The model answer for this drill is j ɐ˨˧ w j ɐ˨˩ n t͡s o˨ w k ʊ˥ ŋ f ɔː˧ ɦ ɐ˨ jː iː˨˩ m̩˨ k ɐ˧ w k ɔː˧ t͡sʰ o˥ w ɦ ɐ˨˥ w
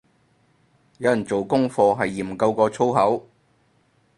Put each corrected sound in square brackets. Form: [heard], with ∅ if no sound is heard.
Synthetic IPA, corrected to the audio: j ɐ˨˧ w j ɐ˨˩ n t͡s o˨ w k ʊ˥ ŋ f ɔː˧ ɦ ɐ˨ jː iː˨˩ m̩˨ k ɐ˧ w k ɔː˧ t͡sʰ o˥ w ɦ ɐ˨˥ w